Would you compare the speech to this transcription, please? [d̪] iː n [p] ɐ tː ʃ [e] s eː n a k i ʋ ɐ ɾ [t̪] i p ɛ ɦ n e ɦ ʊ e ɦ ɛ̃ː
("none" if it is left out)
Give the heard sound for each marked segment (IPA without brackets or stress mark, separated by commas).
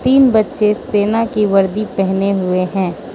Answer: t̪, b, e, d̪